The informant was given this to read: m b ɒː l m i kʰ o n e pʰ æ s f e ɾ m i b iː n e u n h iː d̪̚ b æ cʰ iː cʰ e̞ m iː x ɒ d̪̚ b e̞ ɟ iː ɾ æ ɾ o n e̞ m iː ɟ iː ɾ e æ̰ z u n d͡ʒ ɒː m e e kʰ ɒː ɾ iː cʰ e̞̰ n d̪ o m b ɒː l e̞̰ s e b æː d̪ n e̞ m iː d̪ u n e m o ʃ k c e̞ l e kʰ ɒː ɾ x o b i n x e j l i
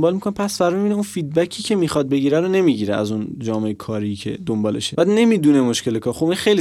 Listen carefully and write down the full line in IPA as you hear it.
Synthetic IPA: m b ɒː l m i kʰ o n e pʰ æ s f æ ɾ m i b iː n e u n f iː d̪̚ b æ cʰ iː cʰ e̞ m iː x ɒ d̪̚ b e̞ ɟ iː ɾ æ ɾ o n e̞ m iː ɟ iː ɾ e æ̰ z u n d͡ʒ ɒː m e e kʰ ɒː ɾ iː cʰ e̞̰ d̪ o m b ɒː l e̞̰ ʃ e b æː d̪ n e̞ m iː d̪ u n e m o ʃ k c e̞ l e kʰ ɒː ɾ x o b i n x e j l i